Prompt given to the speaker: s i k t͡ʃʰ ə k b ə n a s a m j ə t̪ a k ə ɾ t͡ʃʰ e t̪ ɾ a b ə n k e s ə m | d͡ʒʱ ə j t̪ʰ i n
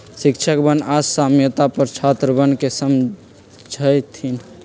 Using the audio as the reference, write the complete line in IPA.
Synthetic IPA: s i k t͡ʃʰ ə k b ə n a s a m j ə t̪ a p ə ɾ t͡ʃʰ a t̪ ɾ ə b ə n k e s ə m | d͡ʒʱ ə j t̪ʰ i n